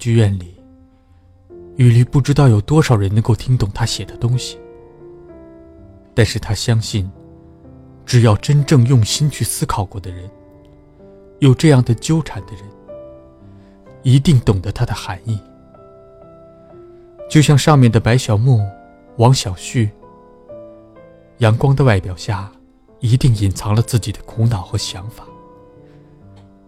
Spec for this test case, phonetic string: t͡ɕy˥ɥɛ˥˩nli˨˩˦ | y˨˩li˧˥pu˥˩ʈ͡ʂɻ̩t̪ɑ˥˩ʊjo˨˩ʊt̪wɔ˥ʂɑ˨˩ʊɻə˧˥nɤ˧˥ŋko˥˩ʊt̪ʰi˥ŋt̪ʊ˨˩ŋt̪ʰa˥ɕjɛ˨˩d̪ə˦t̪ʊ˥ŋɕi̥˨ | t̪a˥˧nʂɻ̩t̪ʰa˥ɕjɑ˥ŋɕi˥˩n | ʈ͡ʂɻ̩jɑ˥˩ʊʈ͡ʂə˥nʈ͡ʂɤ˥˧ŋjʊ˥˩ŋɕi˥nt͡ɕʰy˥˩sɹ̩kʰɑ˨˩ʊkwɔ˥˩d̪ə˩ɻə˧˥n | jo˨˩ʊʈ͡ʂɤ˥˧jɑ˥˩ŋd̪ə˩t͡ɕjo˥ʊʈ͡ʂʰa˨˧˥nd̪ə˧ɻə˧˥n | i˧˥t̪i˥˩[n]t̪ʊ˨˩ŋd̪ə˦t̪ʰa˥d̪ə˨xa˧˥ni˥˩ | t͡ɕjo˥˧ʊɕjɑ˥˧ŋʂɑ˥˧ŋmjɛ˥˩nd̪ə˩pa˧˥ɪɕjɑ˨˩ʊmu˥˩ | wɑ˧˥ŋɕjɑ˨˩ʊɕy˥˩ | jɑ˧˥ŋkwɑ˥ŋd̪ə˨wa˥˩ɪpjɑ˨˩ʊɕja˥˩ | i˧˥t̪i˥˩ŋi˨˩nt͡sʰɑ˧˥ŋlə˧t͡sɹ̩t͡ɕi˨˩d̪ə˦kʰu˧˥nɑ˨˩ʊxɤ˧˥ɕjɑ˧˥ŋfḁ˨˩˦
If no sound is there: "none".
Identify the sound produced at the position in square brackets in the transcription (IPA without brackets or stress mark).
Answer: ŋ